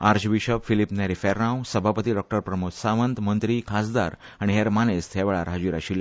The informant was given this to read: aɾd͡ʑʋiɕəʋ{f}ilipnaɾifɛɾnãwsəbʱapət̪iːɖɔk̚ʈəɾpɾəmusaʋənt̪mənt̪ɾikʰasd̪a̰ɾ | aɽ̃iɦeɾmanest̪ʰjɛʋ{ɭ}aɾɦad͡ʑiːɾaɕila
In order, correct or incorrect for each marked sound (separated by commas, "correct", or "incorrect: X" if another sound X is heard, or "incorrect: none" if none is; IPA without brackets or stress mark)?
correct, correct